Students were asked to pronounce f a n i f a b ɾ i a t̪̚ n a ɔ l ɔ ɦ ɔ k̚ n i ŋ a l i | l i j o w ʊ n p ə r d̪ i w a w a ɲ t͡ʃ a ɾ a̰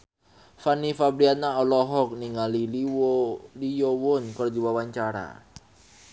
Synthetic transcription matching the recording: f a n i f a b ɾ i a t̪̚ n a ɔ l ɔ ɦ ɔ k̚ n i ŋ a l i | l i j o w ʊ n k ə r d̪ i w a w a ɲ t͡ʃ a ɾ a̰